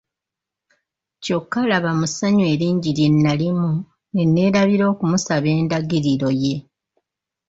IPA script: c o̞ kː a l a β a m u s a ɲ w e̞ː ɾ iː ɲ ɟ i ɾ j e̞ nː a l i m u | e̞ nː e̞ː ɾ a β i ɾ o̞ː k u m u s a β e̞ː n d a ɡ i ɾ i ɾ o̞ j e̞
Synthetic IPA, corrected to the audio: c o̞ kː a l a β a m u s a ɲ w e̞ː ɾ iː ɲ ɟ i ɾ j e̞ nː a l i m u | e̞ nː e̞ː ɾ a β i ɾ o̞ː k u m u s a β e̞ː n d a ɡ i ɾ i ɾ o̞ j e̞